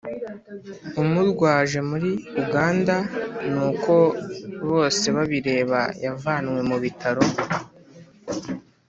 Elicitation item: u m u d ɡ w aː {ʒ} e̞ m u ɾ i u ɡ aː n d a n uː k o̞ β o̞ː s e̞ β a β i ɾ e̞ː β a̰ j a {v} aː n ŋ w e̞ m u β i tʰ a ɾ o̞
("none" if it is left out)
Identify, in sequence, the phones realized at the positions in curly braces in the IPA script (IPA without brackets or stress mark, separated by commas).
ʒ, v